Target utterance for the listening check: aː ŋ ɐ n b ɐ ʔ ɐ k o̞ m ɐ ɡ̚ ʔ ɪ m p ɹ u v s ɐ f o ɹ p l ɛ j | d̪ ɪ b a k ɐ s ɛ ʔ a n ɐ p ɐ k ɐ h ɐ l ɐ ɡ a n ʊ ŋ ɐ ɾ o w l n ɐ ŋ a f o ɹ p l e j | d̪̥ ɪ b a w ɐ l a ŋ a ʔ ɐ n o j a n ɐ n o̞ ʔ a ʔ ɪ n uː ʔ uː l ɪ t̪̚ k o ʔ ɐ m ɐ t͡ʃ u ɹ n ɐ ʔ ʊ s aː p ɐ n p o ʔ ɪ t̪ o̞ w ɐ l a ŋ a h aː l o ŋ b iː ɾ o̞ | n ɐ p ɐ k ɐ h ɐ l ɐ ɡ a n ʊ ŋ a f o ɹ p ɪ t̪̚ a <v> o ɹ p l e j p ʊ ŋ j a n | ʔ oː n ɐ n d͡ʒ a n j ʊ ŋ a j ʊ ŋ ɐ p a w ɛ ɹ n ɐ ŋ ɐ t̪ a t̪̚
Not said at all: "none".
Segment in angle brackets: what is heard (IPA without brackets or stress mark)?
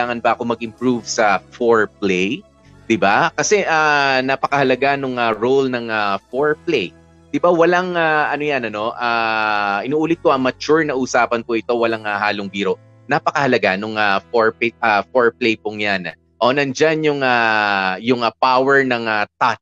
f